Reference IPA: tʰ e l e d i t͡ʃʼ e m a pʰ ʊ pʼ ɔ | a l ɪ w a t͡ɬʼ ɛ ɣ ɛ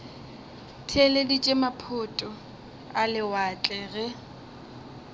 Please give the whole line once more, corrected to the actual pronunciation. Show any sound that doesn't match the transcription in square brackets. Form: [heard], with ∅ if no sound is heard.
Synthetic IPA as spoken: tʰ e l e d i t͡ʃʼ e m a pʰ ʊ [tʼ] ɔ | a l ɪ w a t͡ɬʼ ɛ ɣ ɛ